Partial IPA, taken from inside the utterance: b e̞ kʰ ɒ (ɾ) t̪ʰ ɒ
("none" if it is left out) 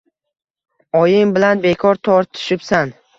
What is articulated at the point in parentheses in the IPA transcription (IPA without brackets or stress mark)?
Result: ɾ